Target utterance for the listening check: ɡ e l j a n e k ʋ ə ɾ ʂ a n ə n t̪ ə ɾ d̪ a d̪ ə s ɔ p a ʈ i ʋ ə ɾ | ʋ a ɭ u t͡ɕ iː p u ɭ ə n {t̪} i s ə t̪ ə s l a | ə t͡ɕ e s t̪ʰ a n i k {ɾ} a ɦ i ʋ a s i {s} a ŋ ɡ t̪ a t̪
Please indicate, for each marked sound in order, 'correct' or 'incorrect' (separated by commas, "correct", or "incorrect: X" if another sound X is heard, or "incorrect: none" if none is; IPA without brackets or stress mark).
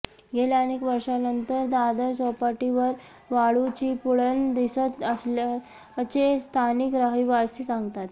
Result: incorrect: d̪, correct, correct